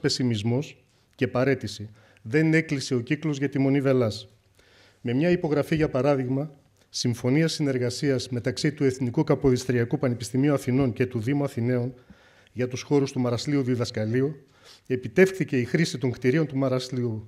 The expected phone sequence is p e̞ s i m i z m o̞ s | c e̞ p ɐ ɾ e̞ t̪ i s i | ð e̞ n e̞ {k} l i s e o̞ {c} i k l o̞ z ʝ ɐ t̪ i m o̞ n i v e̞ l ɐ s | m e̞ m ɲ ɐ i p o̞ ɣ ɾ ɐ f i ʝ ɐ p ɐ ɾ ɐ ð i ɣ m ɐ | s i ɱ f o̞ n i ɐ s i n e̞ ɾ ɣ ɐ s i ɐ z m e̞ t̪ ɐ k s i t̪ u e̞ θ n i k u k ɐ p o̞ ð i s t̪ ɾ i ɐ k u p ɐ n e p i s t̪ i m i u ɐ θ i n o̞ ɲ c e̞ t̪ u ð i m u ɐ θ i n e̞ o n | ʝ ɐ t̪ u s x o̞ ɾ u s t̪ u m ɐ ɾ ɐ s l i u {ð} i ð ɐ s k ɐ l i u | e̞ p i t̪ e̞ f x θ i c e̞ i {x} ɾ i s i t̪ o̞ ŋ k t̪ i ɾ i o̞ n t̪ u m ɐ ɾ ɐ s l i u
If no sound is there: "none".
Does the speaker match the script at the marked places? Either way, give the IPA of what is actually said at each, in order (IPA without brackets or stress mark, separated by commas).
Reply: k, c, ð, x